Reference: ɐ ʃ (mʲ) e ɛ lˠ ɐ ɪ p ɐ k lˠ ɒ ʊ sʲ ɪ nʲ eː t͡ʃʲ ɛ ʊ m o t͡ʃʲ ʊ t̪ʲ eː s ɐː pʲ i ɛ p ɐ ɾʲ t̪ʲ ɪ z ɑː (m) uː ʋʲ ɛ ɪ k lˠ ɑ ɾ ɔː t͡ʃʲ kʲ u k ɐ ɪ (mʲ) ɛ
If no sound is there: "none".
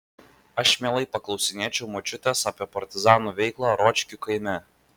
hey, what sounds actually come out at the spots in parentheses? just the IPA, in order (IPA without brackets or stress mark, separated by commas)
mʲ, n, mʲ